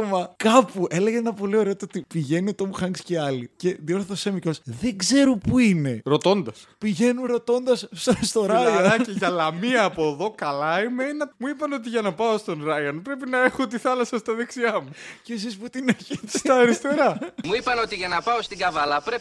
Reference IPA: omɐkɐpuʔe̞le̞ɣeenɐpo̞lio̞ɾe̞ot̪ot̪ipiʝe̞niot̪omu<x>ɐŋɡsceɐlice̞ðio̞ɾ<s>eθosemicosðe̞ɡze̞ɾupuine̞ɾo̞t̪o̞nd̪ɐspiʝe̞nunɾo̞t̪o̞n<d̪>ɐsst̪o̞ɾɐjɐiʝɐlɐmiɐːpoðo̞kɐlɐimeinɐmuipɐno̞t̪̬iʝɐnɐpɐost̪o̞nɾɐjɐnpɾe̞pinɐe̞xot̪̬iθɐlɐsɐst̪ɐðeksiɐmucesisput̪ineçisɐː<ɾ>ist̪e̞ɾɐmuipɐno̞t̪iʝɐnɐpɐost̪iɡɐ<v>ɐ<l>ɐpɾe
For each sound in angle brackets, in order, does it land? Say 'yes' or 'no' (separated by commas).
yes, no, yes, yes, yes, yes